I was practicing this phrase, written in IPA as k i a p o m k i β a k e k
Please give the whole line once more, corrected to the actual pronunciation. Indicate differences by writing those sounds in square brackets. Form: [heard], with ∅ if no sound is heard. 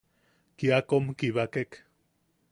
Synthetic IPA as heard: k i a [k] o m k i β a k e k